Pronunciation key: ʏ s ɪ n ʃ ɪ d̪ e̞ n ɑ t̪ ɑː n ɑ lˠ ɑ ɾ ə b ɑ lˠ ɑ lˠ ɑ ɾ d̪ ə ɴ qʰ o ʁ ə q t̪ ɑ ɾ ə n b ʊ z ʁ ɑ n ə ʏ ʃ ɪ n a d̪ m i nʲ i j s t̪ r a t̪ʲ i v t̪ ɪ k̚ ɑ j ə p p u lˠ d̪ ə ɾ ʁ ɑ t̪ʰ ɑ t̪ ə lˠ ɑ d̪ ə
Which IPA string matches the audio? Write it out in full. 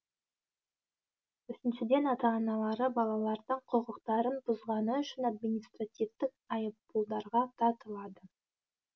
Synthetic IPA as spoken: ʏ s ɪ n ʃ ɪ d̪ e̞ n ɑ t̪ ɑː n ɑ lˠ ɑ ɾ ə b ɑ lˠ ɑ lˠ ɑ ɾ d̪ ə ɴ qʰ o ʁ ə q t̪ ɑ ɾ ə n b ʊ z ʁ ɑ n ə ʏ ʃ ɪ n a d̪ m i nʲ i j s t̪ r a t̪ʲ i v t̪ ɪ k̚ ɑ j ə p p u lˠ d̪ ɑ ɾ ʁ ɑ t̪ʰ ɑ t̪ ə lˠ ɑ d̪ ə